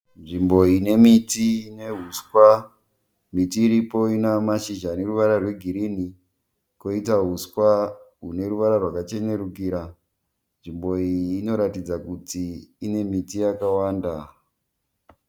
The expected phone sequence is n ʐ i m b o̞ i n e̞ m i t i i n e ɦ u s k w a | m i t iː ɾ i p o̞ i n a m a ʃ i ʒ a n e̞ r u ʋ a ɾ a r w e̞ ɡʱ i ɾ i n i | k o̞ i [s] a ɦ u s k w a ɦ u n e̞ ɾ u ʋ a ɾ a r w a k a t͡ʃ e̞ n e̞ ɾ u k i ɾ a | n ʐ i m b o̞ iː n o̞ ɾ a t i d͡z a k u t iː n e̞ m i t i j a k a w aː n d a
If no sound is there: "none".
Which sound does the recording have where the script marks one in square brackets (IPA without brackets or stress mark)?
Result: t